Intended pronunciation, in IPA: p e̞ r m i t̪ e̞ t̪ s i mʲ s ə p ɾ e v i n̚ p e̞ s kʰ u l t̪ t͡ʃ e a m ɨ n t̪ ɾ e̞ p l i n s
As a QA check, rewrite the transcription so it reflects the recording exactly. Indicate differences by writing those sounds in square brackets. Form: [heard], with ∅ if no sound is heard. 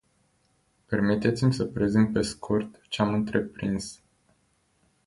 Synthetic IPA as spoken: p e̞ r m i t̪ e̞ t̪ s i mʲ s ə p ɾ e [z] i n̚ p e̞ s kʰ u [r] t̪ t͡ʃ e a m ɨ n t̪ ɾ e̞ p [ɾ] i n s